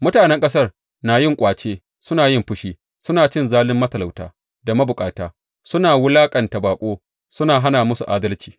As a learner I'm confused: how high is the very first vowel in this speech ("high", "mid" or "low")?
high